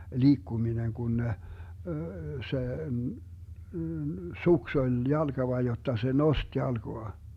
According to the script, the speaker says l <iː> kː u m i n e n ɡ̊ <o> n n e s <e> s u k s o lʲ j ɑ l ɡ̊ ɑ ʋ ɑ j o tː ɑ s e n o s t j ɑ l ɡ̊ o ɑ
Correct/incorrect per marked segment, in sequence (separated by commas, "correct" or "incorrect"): correct, incorrect, correct